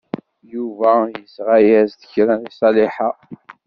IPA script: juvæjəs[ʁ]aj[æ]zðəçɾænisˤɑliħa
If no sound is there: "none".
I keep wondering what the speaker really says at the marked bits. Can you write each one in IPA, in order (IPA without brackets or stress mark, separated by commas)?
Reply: ʁ, æ